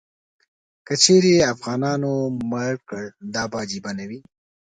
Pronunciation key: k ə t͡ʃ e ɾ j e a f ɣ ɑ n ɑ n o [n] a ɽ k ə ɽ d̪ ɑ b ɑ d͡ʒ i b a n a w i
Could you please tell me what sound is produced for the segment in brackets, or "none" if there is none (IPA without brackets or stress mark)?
m